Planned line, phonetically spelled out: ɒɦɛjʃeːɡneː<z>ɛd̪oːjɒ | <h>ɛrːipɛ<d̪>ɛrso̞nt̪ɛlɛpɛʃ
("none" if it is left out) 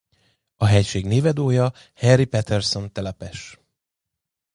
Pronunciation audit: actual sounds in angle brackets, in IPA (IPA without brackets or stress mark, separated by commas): v, h, t̪